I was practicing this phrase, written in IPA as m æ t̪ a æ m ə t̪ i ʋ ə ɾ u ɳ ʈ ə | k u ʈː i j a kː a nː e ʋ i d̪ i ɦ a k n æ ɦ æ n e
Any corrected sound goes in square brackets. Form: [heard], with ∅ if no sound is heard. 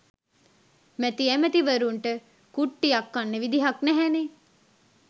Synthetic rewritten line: m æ t̪ [i] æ m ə t̪ i ʋ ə ɾ u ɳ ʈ ə | k u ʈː i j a kː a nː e ʋ i d̪ i ɦ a k n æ ɦ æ n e